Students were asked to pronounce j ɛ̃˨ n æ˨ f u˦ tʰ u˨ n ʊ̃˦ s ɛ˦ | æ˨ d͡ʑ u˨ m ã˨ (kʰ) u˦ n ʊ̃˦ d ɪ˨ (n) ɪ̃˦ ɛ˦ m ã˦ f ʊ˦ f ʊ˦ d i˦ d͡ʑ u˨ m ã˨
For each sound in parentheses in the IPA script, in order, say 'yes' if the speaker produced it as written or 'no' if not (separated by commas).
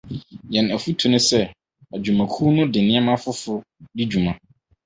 yes, yes